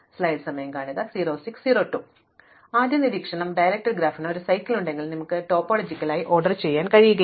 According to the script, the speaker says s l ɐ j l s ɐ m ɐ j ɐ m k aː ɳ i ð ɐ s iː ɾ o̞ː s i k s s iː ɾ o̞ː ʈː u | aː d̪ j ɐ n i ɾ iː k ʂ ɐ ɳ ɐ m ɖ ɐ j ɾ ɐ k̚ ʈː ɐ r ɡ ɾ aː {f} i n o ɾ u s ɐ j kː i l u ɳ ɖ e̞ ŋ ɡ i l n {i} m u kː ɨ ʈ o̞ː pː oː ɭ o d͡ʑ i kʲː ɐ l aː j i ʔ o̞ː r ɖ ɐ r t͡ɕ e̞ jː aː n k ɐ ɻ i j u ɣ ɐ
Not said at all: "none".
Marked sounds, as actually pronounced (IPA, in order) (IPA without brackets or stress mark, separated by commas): f, i